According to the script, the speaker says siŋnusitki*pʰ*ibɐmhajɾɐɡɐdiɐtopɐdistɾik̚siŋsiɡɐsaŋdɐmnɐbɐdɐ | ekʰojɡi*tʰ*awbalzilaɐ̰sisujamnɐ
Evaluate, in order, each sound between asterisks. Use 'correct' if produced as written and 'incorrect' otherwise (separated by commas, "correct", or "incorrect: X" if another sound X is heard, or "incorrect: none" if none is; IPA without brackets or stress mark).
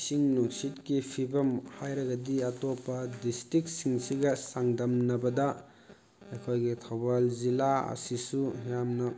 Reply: correct, correct